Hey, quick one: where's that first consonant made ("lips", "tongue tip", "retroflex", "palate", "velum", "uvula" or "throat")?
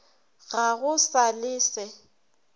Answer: velum